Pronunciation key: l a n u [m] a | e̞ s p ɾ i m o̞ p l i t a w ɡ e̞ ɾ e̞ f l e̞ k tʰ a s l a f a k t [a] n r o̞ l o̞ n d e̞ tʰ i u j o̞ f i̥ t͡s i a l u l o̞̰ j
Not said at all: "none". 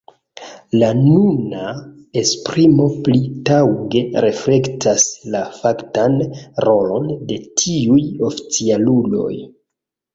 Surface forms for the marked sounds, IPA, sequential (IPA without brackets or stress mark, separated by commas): n, a